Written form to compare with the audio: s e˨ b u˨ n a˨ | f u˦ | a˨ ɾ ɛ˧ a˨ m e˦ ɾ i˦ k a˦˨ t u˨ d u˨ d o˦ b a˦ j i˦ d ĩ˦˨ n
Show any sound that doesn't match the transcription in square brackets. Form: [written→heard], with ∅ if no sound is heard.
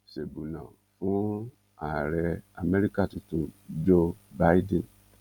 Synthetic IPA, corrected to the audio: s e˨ b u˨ n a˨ | f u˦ | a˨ ɾ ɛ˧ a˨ m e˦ ɾ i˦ k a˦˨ t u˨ [d→t] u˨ [d→d͡ʒ] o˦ b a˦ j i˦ d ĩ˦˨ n